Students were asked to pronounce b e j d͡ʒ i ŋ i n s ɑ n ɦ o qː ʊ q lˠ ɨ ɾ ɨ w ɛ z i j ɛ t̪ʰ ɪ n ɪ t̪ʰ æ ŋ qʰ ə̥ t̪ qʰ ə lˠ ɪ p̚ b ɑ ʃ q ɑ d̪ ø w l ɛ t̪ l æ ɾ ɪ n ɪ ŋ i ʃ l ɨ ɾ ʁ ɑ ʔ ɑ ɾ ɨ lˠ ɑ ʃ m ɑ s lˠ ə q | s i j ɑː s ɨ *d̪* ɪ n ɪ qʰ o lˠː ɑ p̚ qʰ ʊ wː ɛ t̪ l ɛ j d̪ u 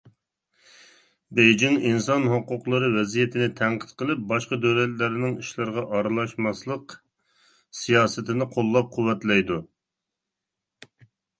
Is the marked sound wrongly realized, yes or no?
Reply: yes